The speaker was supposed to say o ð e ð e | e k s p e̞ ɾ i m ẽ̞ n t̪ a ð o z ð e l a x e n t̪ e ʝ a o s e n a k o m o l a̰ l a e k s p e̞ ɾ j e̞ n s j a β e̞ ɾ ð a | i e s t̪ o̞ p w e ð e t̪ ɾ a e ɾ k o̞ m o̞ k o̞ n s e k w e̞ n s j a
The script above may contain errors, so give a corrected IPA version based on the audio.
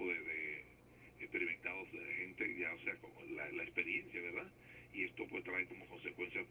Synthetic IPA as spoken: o ð e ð e | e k s p e̞ ɾ i m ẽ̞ n t̪ a ð o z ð e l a x e n t̪ e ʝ a o s e a k o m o l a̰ l a e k s p e̞ ɾ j e̞ n s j a β e̞ ɾ ð a | i e s t̪ o̞ p w e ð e t̪ ɾ a e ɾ k o̞ m o̞ k o̞ n s e k w e̞ n s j a